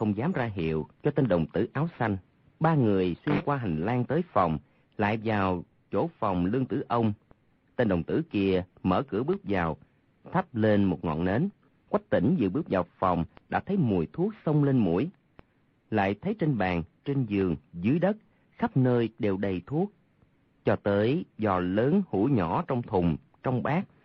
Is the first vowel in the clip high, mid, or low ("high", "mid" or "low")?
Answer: mid